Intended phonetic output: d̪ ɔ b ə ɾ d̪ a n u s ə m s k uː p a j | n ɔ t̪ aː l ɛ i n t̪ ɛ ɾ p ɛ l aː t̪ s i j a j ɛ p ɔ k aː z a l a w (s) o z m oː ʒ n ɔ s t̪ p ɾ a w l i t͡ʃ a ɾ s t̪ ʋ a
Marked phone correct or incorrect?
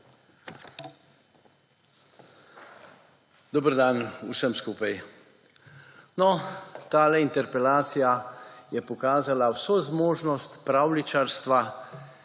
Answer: correct